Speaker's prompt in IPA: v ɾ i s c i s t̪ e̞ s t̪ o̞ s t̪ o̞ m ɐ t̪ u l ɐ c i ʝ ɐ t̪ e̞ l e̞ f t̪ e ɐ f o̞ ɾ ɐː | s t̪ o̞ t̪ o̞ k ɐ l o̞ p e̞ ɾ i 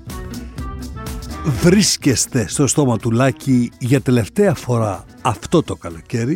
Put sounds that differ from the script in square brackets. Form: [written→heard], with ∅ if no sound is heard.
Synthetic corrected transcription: v ɾ i s c [i→e] s t̪ e̞ s t̪ o̞ s t̪ o̞ m ɐ t̪ u l ɐ c i ʝ ɐ t̪ e̞ l e̞ f t̪ e ɐ f o̞ ɾ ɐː | [s→f] t̪ o̞ t̪ o̞ k ɐ l o̞ [p→c] e̞ ɾ i